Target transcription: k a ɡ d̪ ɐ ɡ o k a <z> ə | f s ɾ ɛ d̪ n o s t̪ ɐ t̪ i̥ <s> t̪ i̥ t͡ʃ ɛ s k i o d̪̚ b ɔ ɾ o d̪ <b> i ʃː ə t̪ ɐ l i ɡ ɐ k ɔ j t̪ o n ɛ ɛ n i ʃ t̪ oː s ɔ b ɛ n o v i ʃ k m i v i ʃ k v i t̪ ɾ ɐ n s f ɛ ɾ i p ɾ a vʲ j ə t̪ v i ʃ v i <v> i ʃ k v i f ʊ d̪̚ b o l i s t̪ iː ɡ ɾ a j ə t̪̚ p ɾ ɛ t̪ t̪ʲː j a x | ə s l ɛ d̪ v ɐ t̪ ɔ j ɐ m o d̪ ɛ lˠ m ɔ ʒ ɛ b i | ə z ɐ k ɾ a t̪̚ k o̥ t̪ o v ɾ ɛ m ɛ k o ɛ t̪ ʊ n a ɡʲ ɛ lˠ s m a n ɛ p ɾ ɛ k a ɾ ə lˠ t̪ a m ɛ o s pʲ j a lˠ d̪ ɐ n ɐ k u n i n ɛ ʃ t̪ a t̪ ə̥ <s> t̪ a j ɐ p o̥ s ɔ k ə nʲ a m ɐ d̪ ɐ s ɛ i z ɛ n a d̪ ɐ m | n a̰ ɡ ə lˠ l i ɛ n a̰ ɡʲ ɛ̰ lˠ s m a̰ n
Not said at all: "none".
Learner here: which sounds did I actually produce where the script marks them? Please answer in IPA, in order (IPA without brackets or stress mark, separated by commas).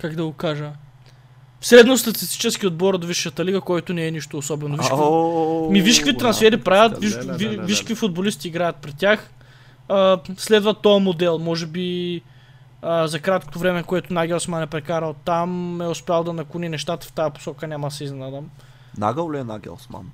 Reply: ʒ, s, v, v, f